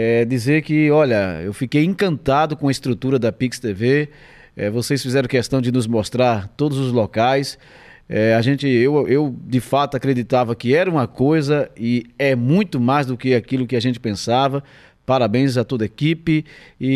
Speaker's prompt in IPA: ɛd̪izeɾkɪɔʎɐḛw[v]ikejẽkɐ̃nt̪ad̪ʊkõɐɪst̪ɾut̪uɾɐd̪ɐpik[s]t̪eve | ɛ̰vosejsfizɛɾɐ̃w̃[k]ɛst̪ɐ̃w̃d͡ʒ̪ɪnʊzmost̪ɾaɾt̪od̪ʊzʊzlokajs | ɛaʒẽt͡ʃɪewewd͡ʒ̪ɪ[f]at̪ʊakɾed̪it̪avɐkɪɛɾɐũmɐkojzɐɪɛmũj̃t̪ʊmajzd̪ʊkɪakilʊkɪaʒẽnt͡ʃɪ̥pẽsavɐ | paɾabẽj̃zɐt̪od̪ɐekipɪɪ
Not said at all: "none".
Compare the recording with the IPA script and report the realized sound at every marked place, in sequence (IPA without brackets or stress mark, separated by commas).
f, s, k, f